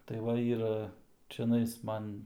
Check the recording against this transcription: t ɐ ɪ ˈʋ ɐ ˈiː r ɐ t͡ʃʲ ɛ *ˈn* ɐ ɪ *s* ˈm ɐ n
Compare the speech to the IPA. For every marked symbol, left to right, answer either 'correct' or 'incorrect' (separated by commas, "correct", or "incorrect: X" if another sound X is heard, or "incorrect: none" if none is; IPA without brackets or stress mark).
correct, correct